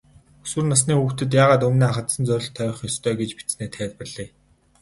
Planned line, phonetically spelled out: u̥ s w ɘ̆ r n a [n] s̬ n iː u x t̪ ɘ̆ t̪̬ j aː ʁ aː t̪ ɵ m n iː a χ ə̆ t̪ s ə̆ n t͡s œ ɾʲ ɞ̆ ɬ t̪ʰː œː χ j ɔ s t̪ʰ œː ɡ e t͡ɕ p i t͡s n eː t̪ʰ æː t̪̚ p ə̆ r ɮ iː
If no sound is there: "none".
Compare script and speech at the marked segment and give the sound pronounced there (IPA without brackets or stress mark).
none